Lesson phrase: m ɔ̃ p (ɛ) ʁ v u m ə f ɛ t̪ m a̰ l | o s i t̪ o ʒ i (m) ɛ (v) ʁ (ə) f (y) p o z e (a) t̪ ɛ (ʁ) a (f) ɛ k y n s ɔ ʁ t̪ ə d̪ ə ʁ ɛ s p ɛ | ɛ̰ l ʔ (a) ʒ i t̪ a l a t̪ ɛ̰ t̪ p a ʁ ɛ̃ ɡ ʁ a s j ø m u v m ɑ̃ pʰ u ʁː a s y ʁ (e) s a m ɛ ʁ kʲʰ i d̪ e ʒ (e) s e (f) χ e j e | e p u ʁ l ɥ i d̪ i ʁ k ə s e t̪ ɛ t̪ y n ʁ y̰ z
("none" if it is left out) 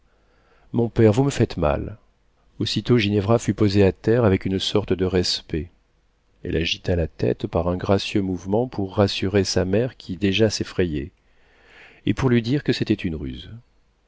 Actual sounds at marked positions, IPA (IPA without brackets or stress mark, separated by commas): ɛ, n, v, a, y, a, ʁ, v, a, e, a, f